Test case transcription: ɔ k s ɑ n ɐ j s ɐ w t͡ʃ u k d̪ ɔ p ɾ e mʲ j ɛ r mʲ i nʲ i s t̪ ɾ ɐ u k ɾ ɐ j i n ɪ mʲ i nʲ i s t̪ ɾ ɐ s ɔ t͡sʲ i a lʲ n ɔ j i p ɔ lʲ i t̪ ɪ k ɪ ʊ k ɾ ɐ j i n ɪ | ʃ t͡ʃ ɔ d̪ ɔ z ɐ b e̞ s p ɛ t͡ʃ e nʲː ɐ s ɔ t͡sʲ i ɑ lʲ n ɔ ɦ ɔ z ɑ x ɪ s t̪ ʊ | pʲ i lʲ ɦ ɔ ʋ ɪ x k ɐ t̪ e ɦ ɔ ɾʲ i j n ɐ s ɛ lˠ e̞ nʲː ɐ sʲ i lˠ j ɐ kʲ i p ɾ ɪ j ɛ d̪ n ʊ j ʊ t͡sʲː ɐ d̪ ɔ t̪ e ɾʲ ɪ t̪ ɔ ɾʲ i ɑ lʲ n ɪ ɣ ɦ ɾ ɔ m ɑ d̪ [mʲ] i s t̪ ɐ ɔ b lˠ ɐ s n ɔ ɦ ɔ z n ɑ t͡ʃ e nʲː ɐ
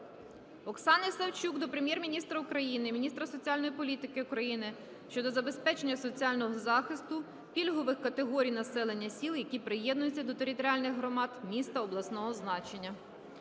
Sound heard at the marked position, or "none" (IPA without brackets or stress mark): mʲ